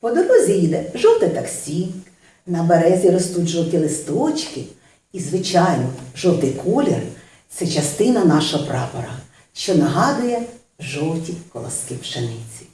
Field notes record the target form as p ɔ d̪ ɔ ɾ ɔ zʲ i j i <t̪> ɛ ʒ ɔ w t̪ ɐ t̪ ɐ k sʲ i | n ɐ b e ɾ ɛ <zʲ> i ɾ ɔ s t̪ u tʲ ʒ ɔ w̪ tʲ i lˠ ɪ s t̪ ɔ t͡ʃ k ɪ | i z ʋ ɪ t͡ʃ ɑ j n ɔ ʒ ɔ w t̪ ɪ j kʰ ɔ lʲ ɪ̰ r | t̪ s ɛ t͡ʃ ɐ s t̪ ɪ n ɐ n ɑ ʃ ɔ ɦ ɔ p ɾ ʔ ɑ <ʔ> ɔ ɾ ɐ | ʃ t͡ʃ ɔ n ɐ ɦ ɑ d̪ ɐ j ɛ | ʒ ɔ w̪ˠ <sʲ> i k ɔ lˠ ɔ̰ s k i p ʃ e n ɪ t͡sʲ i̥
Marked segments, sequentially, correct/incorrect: incorrect, correct, incorrect, incorrect

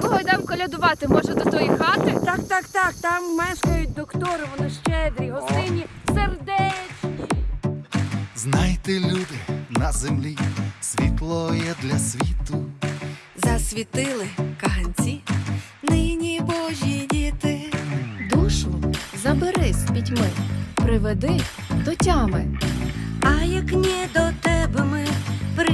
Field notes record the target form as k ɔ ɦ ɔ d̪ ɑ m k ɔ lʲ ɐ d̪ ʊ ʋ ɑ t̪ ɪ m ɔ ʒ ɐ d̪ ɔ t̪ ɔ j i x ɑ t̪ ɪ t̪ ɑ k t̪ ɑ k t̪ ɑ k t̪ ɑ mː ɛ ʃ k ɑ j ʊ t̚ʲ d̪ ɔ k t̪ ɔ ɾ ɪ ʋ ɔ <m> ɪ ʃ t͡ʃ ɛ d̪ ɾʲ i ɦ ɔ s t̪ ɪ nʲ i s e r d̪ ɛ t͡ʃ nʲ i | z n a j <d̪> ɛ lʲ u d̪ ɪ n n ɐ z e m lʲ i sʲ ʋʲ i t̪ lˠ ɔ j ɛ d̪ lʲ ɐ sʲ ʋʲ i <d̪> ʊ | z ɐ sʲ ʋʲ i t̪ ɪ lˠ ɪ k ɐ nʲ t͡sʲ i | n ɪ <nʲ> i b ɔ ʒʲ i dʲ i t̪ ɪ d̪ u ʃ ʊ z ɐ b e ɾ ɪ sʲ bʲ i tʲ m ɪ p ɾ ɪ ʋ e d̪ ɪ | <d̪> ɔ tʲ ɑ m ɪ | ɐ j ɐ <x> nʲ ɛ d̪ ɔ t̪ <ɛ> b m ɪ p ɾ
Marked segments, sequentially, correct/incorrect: incorrect, incorrect, incorrect, correct, correct, incorrect, correct

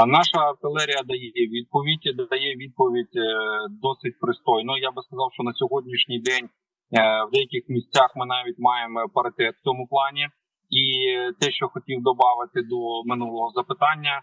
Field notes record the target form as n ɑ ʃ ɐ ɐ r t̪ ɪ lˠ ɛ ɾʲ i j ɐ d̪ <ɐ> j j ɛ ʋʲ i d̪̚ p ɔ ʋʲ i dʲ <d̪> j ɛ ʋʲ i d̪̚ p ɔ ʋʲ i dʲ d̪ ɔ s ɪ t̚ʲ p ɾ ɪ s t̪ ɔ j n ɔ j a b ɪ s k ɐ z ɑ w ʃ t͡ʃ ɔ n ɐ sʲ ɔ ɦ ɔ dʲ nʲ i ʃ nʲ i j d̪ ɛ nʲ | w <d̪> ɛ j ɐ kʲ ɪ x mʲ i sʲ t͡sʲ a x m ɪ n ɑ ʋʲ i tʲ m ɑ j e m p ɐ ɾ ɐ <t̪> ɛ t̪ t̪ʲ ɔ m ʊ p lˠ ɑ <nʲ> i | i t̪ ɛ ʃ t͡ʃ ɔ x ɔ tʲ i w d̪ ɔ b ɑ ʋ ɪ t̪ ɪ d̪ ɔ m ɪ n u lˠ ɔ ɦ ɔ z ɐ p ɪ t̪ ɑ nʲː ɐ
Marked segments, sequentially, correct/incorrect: correct, correct, correct, correct, correct

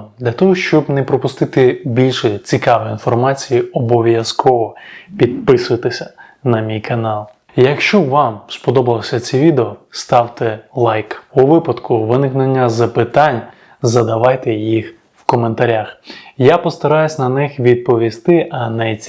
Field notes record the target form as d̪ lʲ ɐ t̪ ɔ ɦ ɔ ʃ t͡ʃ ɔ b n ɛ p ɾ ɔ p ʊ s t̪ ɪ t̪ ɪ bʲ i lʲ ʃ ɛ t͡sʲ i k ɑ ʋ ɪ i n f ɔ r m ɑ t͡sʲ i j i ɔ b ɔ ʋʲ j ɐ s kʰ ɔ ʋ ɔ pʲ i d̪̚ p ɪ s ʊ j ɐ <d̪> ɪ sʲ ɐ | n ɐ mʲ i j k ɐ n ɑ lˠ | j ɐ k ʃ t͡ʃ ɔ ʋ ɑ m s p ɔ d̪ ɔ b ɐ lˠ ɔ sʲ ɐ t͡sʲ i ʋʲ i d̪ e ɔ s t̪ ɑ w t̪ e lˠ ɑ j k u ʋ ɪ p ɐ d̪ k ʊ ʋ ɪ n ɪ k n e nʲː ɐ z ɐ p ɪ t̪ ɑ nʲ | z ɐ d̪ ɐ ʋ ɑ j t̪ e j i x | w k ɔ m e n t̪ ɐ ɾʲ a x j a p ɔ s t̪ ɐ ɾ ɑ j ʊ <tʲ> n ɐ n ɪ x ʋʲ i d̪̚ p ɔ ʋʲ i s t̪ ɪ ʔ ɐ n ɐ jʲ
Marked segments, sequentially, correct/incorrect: incorrect, incorrect

